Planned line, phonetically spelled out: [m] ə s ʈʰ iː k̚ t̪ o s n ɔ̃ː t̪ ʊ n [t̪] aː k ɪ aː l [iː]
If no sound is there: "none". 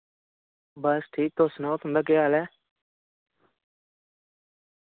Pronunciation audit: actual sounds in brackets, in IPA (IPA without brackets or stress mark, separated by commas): b, d̪, ɛː